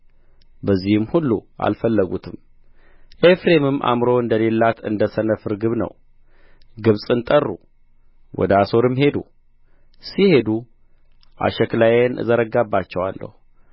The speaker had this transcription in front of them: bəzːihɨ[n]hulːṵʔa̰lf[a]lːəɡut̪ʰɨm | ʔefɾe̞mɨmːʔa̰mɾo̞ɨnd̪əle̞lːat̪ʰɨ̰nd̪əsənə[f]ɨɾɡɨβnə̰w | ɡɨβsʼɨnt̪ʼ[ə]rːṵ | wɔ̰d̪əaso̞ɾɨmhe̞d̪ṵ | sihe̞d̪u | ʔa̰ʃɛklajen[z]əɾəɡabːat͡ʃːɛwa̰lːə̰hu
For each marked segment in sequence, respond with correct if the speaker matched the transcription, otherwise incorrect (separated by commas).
incorrect, incorrect, correct, correct, correct